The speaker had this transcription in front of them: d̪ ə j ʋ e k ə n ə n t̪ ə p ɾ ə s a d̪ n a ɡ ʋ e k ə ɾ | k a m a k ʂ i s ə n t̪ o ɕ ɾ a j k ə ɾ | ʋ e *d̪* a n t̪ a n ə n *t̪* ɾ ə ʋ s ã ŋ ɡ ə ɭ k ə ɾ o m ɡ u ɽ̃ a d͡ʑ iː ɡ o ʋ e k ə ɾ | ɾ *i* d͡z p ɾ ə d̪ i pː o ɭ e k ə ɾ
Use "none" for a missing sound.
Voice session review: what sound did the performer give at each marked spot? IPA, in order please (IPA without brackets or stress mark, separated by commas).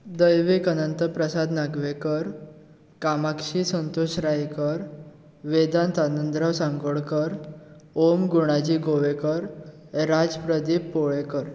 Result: d̪, d̪, a